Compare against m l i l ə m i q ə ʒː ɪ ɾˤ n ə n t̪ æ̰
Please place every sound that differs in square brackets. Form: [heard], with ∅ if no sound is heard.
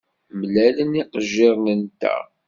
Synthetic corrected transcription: m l [æ] l ə [n] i q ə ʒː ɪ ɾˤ n ə n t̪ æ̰